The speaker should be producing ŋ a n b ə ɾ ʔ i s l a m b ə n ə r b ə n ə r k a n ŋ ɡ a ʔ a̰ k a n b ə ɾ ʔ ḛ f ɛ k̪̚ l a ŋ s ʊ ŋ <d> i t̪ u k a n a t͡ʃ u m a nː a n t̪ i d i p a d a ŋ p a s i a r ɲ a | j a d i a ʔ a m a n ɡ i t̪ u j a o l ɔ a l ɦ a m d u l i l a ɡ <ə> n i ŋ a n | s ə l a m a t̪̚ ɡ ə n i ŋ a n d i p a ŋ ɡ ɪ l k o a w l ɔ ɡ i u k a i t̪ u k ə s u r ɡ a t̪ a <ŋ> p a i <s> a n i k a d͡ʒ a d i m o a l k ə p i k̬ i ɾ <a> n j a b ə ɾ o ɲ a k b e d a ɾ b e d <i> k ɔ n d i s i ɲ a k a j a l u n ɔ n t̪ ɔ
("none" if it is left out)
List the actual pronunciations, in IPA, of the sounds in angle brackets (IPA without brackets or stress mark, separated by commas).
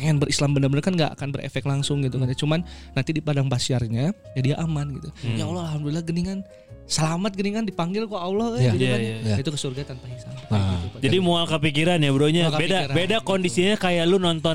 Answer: ɡ, ə, n, s, a, a